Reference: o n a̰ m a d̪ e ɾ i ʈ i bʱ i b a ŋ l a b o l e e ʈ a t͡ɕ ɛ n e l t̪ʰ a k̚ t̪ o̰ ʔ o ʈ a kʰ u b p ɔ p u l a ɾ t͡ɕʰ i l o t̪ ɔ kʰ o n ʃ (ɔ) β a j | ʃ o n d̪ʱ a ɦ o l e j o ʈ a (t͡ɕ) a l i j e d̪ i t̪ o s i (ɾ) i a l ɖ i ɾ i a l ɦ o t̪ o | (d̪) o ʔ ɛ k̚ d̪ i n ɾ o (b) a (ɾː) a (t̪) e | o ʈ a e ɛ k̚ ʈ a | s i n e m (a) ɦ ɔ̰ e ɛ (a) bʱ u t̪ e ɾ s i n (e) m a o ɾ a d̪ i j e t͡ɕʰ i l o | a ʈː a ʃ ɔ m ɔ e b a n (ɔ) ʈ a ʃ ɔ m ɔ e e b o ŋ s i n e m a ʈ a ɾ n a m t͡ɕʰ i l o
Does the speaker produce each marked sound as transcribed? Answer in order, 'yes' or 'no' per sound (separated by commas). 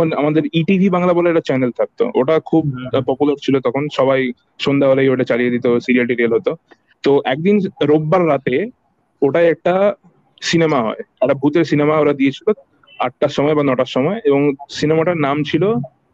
yes, yes, yes, no, no, yes, yes, yes, yes, yes, yes